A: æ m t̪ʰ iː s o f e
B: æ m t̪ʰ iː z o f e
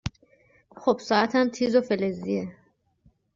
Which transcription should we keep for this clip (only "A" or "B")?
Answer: B